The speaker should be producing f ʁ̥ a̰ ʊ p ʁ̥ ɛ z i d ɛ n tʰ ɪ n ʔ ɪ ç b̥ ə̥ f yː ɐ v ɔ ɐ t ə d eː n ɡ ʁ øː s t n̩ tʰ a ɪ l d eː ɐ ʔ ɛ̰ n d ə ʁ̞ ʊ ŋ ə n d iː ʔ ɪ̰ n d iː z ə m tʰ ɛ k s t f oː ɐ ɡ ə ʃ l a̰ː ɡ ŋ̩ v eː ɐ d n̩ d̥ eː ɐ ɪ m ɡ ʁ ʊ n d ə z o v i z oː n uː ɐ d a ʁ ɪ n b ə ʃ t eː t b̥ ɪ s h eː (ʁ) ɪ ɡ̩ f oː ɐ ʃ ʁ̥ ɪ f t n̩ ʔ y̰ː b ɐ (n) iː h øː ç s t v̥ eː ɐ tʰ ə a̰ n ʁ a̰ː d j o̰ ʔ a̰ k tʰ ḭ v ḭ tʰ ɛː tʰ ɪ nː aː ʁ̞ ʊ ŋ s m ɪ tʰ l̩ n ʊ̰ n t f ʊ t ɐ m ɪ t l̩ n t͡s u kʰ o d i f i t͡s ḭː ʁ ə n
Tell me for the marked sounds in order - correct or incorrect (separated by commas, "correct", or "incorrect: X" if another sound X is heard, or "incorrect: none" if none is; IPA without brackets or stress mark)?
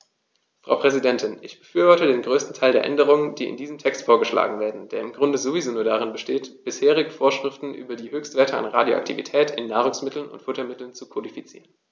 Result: correct, incorrect: d